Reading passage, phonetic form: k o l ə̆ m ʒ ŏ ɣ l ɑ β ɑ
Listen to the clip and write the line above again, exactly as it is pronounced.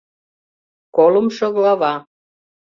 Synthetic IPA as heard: k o l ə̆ m ʃ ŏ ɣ l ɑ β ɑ